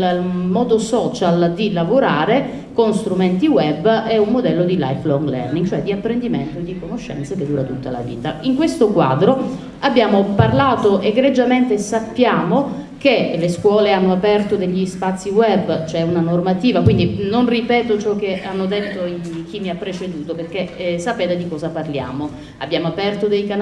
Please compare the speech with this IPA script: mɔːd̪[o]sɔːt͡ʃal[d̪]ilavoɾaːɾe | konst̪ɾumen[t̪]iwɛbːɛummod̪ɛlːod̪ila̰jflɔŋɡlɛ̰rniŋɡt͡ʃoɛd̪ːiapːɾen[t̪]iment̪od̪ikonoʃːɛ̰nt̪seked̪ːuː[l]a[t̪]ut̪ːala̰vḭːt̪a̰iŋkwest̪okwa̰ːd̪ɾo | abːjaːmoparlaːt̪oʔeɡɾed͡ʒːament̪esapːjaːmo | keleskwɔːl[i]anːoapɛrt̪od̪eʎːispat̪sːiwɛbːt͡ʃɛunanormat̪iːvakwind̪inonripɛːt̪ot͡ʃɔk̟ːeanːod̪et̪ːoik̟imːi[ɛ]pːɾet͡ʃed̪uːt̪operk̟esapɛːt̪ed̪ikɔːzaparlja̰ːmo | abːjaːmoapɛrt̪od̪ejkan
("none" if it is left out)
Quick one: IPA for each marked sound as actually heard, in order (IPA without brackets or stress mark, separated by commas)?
o, d̪, t̪, d̪, ɾ, t̪, e, a